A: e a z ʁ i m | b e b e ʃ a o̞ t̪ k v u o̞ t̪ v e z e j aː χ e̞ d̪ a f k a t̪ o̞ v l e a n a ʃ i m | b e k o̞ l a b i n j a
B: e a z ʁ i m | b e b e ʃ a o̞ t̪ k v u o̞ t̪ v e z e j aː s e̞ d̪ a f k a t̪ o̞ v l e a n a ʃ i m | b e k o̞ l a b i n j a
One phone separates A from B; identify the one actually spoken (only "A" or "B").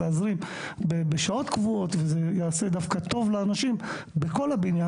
B